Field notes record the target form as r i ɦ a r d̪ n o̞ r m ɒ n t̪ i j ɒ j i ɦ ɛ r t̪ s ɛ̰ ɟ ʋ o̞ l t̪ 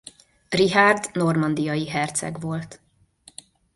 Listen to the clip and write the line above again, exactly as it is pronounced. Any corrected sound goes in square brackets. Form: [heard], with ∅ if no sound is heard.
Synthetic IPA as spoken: r i ɦ a r d̪ n o̞ r m ɒ n [d̪] i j ɒ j i ɦ ɛ r t̪ s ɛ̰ [ɡ] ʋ o̞ l t̪

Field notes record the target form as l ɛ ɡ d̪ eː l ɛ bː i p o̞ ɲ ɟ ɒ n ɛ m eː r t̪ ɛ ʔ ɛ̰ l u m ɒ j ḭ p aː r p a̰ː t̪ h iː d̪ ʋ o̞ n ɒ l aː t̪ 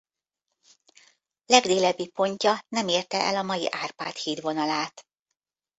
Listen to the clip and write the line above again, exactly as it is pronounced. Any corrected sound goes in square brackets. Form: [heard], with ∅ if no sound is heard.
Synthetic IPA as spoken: l ɛ ɡ d̪ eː l ɛ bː i p o̞ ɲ [c] ɒ n ɛ m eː r t̪ ɛ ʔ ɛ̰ l [ɒ] m ɒ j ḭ [ʔ] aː r p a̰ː t̪ h iː d̪ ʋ o̞ n ɒ l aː t̪

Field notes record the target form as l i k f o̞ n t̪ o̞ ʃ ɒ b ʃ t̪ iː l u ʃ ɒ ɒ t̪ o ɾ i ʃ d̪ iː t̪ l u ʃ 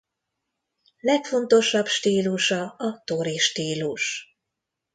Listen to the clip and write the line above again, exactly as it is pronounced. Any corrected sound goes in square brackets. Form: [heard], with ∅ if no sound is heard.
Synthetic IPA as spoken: l [ɛ] k f o̞ n t̪ o̞ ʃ ɒ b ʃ t̪ iː l u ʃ ɒ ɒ t̪ o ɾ i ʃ [t̪] iː [∅] l u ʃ

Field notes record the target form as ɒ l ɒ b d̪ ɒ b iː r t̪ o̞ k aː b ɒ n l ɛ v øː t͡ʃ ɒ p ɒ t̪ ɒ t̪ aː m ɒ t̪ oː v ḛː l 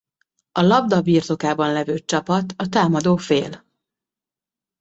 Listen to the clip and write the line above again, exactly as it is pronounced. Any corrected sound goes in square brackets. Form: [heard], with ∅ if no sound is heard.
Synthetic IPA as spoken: ɒ l ɒ b d̪ ɒ b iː r t̪ o̞ k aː b ɒ n l ɛ v øː t͡ʃ ɒ p ɒ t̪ ɒ t̪ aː m ɒ [d̪] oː [f] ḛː l

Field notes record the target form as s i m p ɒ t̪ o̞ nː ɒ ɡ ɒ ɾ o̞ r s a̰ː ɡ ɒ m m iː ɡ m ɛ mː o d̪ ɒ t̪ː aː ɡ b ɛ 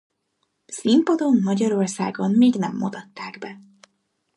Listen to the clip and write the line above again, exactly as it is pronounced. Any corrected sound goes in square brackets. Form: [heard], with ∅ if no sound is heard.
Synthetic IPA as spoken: s i m p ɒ [d̪] o̞ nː ɒ [ɟ] ɒ ɾ o̞ r s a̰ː ɡ [o] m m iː ɡ [n] ɛ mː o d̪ ɒ t̪ː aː ɡ b ɛ

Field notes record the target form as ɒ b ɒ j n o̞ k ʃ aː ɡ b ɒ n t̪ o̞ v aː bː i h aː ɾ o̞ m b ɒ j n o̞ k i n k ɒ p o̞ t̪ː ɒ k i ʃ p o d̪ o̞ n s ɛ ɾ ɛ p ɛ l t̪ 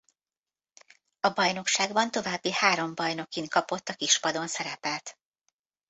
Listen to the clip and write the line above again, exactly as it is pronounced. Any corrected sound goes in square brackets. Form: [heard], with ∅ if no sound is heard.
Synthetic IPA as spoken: ɒ b ɒ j n o̞ k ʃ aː ɡ b ɒ n t̪ o̞ v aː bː i h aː ɾ o̞ m b ɒ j n o̞ k i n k ɒ p o̞ t̪ː ɒ k i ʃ p [ɒ] d̪ o̞ n s ɛ ɾ ɛ p ɛ l t̪

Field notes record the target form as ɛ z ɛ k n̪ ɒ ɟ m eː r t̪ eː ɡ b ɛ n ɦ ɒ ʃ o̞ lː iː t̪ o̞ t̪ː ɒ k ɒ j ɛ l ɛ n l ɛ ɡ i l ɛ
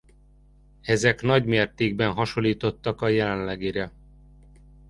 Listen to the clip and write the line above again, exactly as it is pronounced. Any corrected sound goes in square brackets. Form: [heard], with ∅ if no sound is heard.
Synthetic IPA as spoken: ɛ z ɛ k n̪ ɒ ɟ m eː r t̪ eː ɡ b ɛ n ɦ ɒ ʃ o̞ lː iː t̪ o̞ t̪ː ɒ k ɒ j ɛ l ɛ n l ɛ ɡ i [ɾ] ɛ

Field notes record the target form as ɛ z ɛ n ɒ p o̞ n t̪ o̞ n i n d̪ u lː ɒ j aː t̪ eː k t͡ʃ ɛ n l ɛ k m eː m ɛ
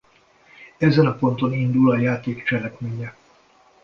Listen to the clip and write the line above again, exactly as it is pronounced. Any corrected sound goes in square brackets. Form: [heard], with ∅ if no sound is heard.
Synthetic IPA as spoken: ɛ z ɛ n ɒ p o̞ n t̪ o̞ n i n d̪ u [l] ɒ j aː t̪ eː k t͡ʃ ɛ [∅] l ɛ k m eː [ɲ] ɛ

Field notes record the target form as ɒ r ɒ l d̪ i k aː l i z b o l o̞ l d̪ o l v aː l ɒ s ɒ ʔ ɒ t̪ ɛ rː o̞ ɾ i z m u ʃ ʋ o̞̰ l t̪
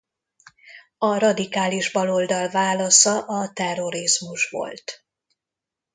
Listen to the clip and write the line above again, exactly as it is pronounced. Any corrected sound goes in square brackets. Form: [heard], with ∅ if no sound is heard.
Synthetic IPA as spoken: ɒ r ɒ [∅] d̪ i k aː l i [ʒ] b [ɒ] l o̞ l d̪ [ɒ] l v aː l ɒ s ɒ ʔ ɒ t̪ ɛ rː o̞ ɾ i z m u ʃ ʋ o̞̰ l t̪

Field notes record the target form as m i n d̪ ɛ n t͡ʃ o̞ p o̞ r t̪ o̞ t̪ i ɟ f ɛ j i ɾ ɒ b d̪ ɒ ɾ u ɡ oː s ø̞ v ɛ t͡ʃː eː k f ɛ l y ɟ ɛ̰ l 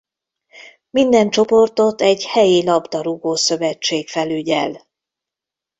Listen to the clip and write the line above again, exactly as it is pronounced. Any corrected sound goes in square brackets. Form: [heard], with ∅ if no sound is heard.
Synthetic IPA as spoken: m i n d̪ ɛ n t͡ʃ o̞ p o̞ r t̪ o̞ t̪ [ɛ] ɟ [h] ɛ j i [l] ɒ b d̪ ɒ ɾ u ɡ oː s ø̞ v ɛ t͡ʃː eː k f ɛ l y ɟ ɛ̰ l

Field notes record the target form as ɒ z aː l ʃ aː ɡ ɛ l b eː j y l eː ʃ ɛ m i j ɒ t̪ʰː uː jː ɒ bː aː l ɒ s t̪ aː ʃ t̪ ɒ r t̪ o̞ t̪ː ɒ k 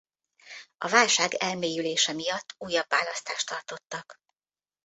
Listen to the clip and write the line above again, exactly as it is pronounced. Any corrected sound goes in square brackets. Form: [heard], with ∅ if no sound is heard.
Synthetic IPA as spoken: ɒ [v] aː l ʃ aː ɡ ɛ l [m] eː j y l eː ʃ ɛ m i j ɒ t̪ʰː uː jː ɒ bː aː l ɒ s t̪ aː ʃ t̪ ɒ r t̪ o̞ t̪ː ɒ k

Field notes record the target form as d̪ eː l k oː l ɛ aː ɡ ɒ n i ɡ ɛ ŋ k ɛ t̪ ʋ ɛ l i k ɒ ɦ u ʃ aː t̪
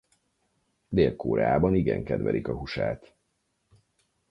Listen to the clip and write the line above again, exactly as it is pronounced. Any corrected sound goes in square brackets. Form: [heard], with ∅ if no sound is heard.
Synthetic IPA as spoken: d̪ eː l k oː [ɾ] ɛ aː [b] ɒ n i ɡ ɛ ŋ k ɛ [d̪] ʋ ɛ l i k ɒ ɦ u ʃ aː t̪

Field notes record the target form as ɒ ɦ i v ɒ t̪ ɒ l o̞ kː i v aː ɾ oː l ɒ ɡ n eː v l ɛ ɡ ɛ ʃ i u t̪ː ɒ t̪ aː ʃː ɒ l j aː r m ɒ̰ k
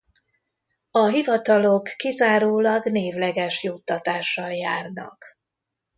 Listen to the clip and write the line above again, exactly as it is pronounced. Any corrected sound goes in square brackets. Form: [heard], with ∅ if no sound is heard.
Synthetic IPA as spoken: ɒ ɦ i v ɒ t̪ ɒ l o̞ kː i [z] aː ɾ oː l ɒ ɡ n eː v l ɛ ɡ ɛ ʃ [j] u t̪ː ɒ t̪ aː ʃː ɒ l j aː r [n] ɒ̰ k

